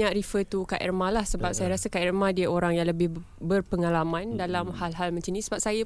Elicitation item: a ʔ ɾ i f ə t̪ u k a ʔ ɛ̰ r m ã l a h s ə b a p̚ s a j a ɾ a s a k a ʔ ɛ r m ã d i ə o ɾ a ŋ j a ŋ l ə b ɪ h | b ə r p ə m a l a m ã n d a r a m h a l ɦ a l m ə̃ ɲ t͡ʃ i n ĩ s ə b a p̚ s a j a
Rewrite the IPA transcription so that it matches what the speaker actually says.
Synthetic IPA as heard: a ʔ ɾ i f ə t̪ u k a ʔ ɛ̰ r m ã l a h s ə b a p̚ s a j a ɾ a s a k a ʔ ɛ r m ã d i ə o ɾ a ŋ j a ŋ l ə b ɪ h | b ə r p ə ŋ a l a m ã n d a l a m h a l ɦ a l m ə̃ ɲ t͡ʃ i n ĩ s ə b a p̚ s a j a